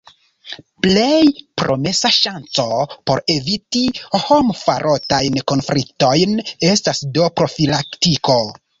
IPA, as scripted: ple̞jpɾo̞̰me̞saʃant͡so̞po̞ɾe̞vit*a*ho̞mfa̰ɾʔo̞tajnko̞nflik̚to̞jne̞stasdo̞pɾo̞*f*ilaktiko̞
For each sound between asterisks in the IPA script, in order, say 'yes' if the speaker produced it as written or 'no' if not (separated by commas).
no, yes